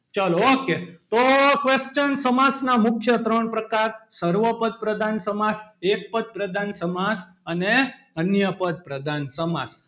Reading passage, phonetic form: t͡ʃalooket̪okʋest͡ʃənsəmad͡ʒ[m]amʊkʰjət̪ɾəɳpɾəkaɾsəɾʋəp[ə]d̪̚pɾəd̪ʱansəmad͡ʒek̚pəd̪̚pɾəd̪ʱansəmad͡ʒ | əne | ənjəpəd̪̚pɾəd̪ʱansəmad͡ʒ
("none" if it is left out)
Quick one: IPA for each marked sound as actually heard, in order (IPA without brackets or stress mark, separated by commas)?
n, ə